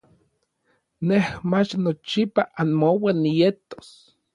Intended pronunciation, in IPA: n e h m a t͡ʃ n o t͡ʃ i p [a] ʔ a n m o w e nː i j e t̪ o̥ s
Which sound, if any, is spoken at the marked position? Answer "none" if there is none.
a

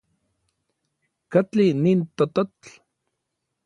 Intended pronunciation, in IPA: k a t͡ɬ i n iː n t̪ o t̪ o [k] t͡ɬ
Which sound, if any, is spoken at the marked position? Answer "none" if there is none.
none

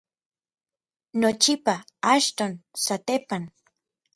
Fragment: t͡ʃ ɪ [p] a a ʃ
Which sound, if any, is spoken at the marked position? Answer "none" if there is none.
p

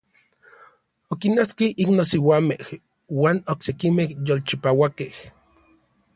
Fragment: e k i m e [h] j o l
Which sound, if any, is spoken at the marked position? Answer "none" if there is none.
h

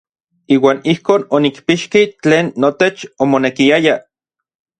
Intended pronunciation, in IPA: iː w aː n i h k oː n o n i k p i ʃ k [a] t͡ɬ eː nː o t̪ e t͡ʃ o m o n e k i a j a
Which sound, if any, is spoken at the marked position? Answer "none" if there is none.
i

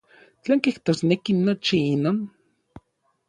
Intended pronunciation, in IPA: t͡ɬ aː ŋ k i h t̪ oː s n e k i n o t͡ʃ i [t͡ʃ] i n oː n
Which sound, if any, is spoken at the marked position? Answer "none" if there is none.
none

